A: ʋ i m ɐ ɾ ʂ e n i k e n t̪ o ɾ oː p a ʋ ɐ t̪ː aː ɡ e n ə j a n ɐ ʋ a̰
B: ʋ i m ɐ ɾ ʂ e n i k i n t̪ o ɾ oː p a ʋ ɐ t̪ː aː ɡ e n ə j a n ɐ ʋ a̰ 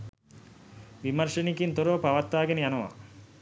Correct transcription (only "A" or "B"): B